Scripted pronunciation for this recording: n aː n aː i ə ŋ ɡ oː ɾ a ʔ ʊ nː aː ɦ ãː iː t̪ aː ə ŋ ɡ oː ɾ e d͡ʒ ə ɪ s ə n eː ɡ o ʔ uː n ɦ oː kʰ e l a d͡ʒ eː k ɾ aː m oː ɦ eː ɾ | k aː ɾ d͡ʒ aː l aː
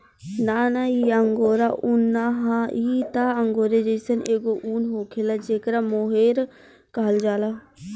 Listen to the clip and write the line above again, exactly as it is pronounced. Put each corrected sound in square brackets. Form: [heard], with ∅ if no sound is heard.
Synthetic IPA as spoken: n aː n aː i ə ŋ ɡ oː ɾ a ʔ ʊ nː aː ɦ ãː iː t̪ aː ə ŋ ɡ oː ɾ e d͡ʒ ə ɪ s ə n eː ɡ o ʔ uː n ɦ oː kʰ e l a d͡ʒ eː k ɾ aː m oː ɦ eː ɾ | k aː [l] d͡ʒ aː l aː